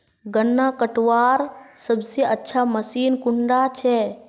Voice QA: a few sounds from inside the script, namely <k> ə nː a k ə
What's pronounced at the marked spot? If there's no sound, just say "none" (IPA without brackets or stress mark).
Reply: ɡ